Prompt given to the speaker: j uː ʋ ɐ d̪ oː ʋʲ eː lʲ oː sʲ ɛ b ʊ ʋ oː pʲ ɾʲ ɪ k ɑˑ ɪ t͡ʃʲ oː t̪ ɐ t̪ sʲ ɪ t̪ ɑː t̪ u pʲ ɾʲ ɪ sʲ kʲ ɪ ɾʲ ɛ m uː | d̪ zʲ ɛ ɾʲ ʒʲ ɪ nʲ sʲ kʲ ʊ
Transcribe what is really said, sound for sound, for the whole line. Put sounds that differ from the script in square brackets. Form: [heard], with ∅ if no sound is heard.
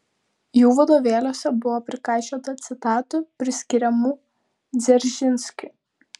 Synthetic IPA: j uː ʋ ɐ d̪ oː ʋʲ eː lʲ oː sʲ ɛ b ʊ ʋ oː pʲ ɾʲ ɪ k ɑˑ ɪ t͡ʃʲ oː t̪ ɐ t̪ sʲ ɪ t̪ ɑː t̪ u pʲ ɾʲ ɪ sʲ kʲ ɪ ɾʲ ɛ m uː | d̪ zʲ ɛ ɾʲ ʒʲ ɪ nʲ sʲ kʲ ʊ